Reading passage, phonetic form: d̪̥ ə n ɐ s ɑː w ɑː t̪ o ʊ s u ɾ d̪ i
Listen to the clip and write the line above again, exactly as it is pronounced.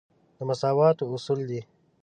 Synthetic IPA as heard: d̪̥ ə m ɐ s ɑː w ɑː t̪ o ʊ s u l d̪ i

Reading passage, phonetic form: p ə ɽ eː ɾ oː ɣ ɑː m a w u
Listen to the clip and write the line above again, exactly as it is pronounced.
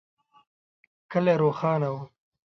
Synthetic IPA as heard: k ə l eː ɾ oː x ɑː n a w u

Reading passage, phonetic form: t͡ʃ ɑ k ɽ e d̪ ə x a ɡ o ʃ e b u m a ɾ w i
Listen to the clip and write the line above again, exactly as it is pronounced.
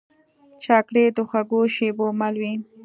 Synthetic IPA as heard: t͡ʃ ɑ k ɽ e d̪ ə x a ɡ o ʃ e b o m a l w i

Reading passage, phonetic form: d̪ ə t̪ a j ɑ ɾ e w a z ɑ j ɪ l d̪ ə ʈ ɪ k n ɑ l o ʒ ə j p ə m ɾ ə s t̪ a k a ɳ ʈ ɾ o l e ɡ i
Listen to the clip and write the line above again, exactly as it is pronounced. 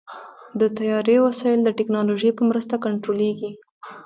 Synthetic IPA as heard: d̪ ə t̪ a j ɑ ɾ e w a s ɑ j ɪ l d̪ ə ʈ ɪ k n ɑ l o ʒ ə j p ə m ɾ ə s t̪ a k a ɳ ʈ ɾ o l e ɡ i

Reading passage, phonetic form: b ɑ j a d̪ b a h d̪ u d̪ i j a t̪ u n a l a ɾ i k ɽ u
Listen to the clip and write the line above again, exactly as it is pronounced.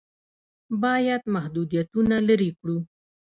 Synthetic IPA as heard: b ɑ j a d̪ m a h d̪ u d̪ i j a t̪ u n a l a ɾ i k ɽ u

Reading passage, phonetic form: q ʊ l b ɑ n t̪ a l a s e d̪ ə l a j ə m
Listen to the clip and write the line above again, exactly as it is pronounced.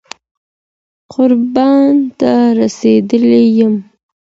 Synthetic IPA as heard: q ʊ ɾ b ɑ n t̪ a ɾ a s e d̪ ə l e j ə m

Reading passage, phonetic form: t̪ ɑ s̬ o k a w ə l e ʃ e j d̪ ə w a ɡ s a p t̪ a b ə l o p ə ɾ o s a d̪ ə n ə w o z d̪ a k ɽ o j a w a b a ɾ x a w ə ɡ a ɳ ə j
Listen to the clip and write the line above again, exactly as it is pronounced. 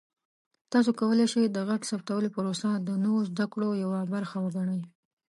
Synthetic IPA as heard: t̪ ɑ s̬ o k a w ə l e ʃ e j d̪ ə ɣ a ɡ s a p t̪ a w ə l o p ə ɾ o s a d̪ ə n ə w o z d̪ a k ɽ o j a w a b a ɾ x a w ə ɡ a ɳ ə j

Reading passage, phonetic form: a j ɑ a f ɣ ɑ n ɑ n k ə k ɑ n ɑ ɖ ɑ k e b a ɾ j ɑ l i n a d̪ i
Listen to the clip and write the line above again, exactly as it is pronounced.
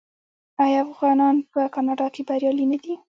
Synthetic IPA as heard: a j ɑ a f ɣ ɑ n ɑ n p ə k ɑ n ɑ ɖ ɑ k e b a ɾ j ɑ l i n a d̪ i

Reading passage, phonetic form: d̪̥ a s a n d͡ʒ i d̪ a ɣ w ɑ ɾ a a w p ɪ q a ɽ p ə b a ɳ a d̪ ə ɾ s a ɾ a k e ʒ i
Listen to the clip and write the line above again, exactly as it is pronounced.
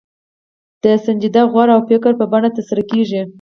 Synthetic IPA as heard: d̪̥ ə s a n d͡ʒ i d̪ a ɣ w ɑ ɾ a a w p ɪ k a ɾ p ə b a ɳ a t̪ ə ɾ s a ɾ a k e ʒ i

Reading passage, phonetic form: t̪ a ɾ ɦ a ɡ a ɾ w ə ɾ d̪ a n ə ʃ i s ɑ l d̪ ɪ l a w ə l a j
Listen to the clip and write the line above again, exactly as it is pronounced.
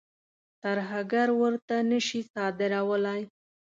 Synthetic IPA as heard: t̪ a ɾ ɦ a ɡ a ɾ w ə ɾ t̪ a n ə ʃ i s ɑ d̪ ɪ ɾ a w ə l a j

